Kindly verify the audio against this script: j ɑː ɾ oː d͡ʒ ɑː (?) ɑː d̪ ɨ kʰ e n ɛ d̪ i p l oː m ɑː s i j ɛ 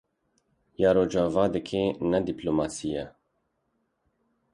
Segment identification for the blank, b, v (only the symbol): v